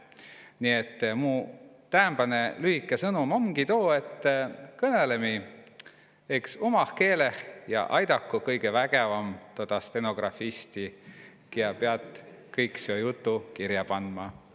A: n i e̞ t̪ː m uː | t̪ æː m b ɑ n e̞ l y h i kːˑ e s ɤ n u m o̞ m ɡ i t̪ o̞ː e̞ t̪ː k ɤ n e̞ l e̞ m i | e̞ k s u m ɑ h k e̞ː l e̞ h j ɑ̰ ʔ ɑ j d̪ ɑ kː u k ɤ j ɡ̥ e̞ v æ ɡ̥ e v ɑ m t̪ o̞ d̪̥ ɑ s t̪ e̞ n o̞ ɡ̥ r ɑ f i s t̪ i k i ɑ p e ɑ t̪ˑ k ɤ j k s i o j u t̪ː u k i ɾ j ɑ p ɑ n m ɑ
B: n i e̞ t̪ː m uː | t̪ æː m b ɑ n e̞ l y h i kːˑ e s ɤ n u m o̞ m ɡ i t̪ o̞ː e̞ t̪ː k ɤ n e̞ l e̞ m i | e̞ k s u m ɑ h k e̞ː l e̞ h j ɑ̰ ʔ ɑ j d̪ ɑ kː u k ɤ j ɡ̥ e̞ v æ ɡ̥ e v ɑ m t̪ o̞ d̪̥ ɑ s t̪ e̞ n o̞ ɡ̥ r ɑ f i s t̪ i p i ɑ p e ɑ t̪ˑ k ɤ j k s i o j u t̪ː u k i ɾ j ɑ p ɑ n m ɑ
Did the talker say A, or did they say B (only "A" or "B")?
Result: A